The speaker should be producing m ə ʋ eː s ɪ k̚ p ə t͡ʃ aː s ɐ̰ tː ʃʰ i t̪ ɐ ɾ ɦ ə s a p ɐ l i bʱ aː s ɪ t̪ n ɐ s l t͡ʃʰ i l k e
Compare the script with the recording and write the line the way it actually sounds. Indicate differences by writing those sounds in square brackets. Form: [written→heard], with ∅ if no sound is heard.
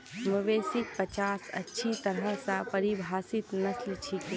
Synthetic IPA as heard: m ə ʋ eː s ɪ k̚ p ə t͡ʃ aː s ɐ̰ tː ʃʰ i t̪ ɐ ɾ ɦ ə s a p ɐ [l→ɾ] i bʱ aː s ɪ t̪ n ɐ s l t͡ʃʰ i [l→∅] k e